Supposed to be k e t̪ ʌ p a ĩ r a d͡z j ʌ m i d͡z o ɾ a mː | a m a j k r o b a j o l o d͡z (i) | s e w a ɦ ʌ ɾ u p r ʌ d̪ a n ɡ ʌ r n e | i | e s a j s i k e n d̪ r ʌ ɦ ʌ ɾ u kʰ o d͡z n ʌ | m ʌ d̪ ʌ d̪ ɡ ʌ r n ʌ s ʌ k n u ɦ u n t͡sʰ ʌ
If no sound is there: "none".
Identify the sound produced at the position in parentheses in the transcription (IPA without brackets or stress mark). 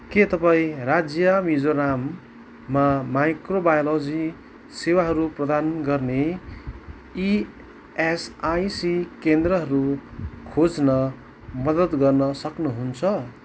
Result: i